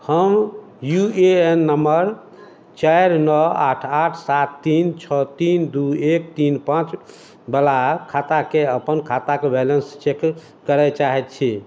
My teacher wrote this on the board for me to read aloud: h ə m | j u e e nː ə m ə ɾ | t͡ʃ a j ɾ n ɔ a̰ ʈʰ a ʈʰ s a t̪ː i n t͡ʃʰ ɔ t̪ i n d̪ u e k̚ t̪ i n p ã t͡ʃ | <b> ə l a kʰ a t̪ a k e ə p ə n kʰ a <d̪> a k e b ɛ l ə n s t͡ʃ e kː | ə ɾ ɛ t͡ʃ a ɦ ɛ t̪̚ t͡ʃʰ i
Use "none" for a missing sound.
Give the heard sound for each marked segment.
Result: b, t̪

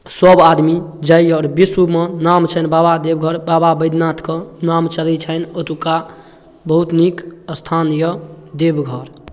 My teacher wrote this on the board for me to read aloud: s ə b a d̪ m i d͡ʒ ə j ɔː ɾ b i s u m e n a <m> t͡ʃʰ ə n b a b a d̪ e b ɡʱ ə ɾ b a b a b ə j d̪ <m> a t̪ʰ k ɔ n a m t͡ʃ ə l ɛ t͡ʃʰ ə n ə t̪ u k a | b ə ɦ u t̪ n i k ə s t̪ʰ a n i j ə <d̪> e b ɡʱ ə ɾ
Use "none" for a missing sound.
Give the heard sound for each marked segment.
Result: m, n, d̪

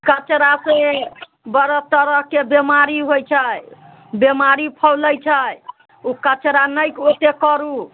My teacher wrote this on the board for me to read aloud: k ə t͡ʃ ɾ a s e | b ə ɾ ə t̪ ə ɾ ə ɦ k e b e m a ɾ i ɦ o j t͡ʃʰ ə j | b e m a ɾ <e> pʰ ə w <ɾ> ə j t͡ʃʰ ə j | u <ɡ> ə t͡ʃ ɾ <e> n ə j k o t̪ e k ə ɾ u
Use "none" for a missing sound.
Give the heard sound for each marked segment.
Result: i, l, k, a

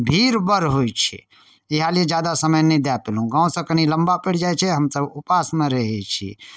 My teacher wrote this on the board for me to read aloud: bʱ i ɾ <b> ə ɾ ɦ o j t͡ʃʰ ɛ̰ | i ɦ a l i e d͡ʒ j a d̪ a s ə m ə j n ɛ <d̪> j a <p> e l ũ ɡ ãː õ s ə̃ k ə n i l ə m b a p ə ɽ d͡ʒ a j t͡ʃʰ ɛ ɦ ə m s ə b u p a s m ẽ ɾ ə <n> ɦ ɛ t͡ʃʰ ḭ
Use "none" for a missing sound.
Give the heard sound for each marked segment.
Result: b, d̪, p, none

